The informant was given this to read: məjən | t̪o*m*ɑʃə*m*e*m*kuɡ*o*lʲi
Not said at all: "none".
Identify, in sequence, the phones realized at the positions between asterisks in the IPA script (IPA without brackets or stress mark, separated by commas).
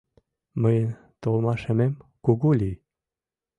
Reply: m, m, m, u